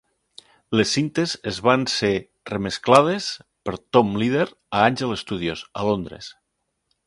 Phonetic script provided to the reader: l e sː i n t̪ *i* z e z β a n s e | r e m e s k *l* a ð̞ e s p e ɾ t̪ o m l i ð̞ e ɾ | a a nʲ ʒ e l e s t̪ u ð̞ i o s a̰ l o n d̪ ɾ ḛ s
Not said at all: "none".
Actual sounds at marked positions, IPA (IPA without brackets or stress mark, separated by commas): e, l